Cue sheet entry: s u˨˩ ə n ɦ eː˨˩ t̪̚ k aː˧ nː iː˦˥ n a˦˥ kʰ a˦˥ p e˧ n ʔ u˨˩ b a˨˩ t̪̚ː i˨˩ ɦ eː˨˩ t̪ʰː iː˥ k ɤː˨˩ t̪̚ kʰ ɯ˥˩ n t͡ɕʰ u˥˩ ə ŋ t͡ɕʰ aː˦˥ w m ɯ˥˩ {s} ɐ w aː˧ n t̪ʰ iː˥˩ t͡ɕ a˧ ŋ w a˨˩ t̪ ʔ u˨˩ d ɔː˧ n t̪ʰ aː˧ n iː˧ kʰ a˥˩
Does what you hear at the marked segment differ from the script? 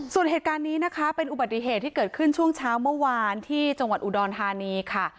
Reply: yes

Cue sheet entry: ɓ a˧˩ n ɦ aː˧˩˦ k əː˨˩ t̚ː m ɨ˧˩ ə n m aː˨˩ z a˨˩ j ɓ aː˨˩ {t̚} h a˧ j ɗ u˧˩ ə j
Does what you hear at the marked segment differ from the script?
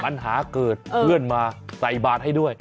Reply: no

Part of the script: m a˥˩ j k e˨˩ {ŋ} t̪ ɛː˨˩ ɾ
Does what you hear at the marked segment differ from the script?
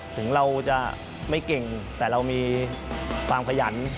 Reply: no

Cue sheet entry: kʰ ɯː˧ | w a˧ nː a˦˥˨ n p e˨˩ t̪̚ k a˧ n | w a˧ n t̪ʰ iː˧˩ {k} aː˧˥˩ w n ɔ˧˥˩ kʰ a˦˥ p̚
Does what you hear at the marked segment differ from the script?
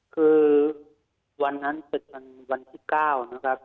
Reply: no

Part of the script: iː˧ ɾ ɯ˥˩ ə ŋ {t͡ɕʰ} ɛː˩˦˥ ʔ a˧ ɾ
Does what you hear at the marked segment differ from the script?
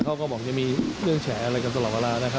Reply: no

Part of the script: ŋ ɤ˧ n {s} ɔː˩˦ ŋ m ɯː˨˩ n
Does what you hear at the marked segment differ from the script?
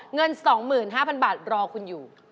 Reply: no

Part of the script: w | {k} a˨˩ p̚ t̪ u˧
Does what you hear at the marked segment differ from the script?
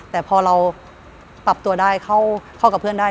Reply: yes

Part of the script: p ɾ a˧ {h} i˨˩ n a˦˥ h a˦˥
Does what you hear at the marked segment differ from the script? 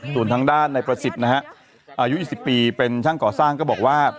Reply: yes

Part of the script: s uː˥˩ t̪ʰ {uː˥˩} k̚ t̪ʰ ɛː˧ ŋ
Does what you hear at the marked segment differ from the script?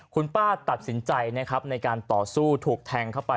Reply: yes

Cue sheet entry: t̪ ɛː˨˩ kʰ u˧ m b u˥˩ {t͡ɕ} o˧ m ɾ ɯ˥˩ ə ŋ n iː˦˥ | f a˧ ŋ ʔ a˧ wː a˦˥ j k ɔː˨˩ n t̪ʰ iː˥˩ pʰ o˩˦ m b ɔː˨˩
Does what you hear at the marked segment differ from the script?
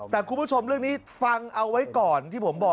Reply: yes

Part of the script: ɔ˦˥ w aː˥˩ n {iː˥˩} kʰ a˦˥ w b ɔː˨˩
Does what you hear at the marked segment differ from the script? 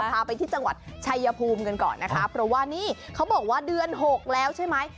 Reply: no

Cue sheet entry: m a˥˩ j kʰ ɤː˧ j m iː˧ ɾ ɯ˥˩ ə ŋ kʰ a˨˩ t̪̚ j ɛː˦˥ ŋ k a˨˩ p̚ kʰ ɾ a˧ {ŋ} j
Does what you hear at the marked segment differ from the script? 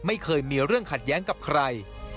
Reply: yes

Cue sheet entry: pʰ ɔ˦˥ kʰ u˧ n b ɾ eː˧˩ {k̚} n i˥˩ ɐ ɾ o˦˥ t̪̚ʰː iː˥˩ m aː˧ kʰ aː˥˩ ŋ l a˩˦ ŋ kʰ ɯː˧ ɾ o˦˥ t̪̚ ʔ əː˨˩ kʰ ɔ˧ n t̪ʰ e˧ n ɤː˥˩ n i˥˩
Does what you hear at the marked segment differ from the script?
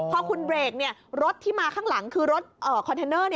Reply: no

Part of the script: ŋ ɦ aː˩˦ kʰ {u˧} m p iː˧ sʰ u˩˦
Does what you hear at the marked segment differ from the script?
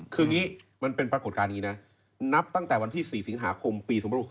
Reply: yes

